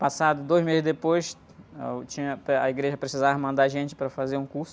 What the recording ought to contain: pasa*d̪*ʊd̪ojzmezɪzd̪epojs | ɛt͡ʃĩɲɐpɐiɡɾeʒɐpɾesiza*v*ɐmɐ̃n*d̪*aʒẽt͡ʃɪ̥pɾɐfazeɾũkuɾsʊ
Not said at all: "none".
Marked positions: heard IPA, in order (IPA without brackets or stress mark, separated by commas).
d̪, v, d̪